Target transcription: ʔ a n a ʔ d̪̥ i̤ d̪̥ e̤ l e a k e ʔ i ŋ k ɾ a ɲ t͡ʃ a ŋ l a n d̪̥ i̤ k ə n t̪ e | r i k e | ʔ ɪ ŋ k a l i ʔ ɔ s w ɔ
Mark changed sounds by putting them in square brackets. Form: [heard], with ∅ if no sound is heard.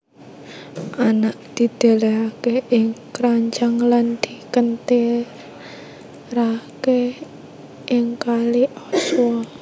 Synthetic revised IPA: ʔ a n a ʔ d̪̥ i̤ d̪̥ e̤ l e a k e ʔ [ɪ] ŋ k ɾ a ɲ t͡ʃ a ŋ l a n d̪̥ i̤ k ə n t̪ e | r [a] k e | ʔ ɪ ŋ k a l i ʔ ɔ s w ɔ